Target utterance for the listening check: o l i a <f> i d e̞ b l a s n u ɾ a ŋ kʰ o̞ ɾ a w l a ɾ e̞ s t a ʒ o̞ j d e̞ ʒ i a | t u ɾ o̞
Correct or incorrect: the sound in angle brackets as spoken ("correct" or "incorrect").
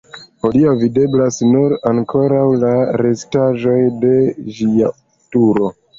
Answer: incorrect